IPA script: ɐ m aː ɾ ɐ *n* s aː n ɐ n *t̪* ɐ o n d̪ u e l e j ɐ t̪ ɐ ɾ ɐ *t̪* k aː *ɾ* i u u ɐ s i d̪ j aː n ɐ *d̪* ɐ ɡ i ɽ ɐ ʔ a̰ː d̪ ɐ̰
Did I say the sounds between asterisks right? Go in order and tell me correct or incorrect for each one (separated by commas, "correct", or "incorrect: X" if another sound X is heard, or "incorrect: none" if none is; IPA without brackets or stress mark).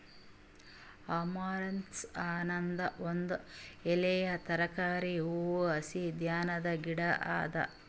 correct, incorrect: d̪, incorrect: none, correct, correct